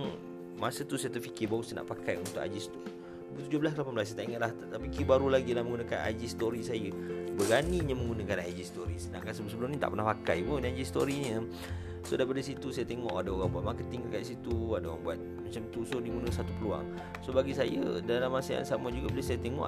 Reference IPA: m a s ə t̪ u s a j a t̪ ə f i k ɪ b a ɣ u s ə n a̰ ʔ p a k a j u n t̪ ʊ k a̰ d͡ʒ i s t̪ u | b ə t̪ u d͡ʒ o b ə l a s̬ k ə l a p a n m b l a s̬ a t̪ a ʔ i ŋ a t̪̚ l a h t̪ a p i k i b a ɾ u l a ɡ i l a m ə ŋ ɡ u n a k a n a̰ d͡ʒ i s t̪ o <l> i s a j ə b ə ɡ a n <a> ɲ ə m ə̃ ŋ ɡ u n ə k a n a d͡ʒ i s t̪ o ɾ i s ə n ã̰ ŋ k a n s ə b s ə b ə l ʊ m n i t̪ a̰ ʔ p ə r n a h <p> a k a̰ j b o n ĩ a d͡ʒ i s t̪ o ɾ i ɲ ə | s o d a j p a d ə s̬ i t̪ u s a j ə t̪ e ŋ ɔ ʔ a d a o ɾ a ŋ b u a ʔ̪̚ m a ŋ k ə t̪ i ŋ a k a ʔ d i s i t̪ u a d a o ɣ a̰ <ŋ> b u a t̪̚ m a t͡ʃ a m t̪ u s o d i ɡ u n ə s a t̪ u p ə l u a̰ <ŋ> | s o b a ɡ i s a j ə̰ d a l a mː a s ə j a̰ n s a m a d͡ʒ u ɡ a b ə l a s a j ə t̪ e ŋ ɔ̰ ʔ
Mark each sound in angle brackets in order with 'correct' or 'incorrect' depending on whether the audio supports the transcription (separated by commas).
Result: incorrect, incorrect, correct, correct, correct